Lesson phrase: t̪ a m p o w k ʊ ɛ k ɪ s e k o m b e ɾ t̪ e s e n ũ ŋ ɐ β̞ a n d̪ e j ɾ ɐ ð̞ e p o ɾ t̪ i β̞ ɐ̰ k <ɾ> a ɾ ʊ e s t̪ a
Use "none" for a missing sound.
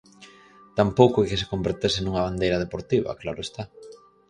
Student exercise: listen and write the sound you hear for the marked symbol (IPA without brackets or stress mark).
l